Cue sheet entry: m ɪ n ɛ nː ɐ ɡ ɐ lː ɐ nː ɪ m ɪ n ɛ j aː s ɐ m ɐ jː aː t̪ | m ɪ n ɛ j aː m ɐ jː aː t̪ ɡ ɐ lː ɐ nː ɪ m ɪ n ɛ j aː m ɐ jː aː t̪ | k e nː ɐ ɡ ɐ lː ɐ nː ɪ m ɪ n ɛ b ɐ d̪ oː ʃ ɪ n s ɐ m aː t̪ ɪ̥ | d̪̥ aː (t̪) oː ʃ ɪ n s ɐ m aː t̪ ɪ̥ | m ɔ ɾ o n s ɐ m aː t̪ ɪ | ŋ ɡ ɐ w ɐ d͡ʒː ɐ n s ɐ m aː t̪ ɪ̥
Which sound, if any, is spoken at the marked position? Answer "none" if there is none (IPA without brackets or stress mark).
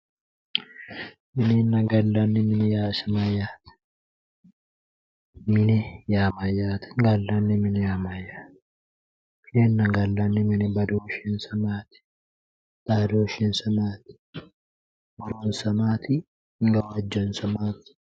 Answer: d̪